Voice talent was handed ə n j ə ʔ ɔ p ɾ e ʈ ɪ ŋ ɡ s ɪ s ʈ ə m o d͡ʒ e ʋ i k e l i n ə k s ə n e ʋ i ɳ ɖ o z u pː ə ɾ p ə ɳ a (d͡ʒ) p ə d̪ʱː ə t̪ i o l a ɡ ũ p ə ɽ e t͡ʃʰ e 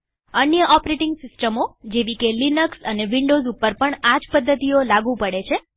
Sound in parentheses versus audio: correct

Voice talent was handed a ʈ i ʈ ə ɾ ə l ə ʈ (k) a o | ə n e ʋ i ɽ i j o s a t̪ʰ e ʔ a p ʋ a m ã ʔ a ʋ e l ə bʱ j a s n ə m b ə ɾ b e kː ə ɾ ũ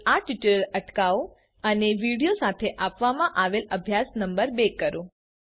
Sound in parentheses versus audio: correct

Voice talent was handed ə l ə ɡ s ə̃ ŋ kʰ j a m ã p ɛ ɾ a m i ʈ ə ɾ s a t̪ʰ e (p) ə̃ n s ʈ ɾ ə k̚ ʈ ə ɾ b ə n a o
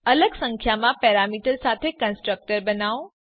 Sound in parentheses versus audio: incorrect: k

